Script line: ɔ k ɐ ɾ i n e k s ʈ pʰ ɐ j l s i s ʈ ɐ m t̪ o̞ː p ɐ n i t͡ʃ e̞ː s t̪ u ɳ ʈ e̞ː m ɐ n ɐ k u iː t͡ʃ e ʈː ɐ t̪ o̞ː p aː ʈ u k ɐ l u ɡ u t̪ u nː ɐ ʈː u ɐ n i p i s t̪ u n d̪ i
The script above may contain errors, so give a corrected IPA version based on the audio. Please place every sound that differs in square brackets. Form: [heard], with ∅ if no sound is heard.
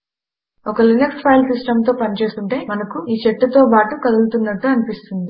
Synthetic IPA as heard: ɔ k ɐ [l] i n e k s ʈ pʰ ɐ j l s i s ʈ ɐ m t̪ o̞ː p ɐ n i t͡ʃ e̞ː s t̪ u ɳ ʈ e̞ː m ɐ n ɐ k u iː t͡ʃ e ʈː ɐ t̪ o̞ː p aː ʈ u k ɐ l u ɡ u t̪ u nː ɐ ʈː u ɐ n i p i s t̪ u n d̪ i